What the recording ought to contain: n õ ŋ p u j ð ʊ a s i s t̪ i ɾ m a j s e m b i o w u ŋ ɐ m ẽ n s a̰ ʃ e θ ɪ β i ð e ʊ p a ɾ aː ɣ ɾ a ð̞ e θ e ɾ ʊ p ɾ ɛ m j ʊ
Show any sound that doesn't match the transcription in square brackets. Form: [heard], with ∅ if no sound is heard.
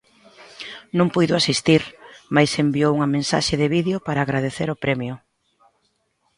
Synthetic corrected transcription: n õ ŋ p u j ð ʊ a s i s t̪ i ɾ m a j s e m b i o w u ŋ ɐ m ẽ n s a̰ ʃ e [ð] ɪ β i ð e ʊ p a ɾ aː ɣ ɾ a ð̞ e θ e ɾ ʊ p ɾ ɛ m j ʊ